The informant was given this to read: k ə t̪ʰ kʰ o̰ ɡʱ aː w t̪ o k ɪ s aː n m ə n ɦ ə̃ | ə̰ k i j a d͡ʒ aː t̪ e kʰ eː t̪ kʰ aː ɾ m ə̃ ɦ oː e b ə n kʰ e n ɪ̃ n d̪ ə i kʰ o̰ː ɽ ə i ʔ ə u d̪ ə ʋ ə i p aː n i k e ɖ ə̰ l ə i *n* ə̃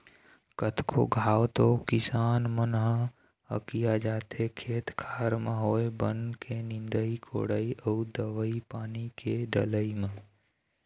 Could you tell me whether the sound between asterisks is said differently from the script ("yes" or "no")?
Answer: yes